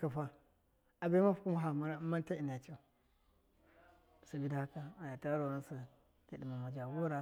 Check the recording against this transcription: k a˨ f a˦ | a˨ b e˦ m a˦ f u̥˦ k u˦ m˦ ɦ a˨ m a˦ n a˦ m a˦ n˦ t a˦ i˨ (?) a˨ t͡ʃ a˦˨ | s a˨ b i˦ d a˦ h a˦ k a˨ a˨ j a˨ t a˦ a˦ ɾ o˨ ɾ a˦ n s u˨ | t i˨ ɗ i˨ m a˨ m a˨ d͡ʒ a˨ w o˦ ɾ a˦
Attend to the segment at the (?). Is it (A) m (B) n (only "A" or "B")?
B